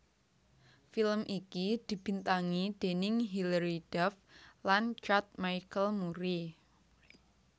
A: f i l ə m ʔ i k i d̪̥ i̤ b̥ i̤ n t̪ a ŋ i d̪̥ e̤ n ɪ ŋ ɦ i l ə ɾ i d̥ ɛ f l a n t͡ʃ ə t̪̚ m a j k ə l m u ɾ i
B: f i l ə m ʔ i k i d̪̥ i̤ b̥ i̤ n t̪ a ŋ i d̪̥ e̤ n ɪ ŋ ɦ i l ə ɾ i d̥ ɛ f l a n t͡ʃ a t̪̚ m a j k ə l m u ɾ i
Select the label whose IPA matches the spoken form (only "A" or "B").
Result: B